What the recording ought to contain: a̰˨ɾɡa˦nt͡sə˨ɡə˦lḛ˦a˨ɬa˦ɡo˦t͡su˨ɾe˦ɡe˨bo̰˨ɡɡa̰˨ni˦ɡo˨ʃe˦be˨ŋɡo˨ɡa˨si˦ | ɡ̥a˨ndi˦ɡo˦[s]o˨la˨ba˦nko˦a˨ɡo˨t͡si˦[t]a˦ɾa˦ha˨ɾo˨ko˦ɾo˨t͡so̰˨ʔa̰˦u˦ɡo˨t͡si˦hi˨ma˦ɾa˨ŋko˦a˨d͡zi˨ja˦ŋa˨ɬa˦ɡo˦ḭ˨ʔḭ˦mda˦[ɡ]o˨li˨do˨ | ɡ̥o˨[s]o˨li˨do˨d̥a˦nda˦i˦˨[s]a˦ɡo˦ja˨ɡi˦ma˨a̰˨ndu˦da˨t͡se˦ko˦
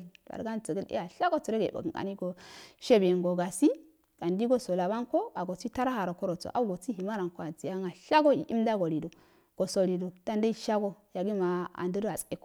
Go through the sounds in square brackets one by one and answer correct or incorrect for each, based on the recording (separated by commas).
correct, correct, correct, correct, incorrect